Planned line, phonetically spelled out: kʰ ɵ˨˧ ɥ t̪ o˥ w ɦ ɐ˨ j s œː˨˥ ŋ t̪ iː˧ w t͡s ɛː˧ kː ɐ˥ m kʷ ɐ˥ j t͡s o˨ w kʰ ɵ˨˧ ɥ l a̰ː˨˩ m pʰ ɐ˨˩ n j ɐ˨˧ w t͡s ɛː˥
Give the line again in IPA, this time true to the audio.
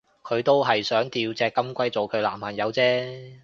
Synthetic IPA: kʰ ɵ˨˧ ɥ t̪ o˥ w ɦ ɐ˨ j s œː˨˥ ŋ t̪ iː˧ w t͡s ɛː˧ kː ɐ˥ m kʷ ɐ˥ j t͡s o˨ w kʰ ɵ˨˧ ɥ l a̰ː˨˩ m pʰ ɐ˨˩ n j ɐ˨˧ w t͡s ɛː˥